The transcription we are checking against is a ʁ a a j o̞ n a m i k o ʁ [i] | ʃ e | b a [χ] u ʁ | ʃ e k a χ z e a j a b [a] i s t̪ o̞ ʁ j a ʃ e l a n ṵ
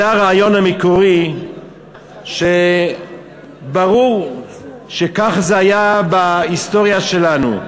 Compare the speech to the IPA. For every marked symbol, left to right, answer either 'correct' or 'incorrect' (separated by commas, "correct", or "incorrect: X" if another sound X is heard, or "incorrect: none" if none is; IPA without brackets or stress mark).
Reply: correct, incorrect: ʁ, correct